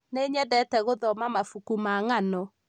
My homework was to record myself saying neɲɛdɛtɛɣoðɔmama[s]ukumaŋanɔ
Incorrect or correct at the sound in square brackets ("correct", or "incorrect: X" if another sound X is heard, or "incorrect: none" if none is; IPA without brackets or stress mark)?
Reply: incorrect: f